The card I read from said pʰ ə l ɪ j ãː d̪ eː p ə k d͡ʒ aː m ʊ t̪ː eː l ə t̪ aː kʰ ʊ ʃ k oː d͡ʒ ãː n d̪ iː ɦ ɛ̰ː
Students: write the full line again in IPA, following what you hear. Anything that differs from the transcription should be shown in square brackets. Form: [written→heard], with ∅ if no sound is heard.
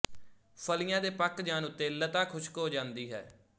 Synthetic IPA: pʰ ə l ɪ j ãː d̪ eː p ə k d͡ʒ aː [m→n] ʊ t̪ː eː l ə t̪ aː kʰ ʊ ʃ k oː d͡ʒ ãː n d̪ iː ɦ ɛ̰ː